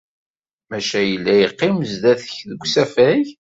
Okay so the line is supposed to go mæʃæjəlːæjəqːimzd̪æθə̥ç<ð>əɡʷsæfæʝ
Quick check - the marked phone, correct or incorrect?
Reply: correct